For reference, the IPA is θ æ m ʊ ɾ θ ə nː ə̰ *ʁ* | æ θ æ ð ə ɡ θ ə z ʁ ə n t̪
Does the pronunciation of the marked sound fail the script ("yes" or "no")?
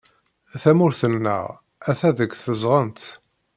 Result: no